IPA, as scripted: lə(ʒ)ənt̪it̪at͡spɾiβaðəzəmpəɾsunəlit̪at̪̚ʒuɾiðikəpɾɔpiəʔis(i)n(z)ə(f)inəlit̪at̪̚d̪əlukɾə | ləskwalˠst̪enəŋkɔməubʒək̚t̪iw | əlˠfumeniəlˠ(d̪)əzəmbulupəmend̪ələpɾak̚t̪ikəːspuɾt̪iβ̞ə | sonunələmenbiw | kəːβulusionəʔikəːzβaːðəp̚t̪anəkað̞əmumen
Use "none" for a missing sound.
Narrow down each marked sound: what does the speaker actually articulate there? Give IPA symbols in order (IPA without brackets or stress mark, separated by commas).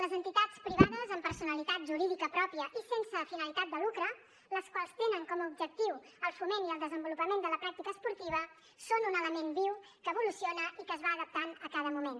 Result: z, e, s, f, d̪